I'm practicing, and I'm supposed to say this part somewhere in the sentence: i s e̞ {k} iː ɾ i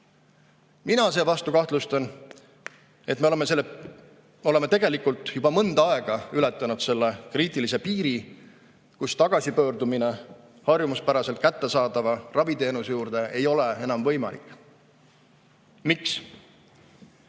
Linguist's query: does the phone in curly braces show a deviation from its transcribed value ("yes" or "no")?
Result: yes